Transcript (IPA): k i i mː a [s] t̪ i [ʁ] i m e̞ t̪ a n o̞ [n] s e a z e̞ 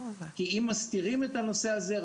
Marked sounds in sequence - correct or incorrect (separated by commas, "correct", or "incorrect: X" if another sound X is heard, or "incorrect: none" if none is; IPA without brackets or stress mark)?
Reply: correct, correct, incorrect: none